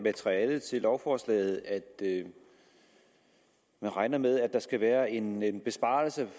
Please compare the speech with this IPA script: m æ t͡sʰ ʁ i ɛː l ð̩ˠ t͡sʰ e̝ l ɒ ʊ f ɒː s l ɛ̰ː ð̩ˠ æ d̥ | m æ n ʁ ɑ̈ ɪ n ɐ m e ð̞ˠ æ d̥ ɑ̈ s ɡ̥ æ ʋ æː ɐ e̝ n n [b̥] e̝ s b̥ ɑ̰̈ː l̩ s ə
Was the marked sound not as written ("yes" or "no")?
no